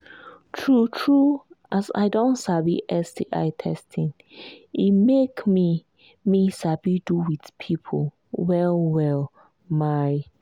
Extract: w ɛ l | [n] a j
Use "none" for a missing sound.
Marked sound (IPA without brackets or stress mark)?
m